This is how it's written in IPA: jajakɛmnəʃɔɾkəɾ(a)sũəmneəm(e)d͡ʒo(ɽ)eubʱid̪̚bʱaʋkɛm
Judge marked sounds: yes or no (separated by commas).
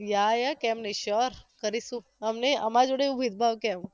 no, no, yes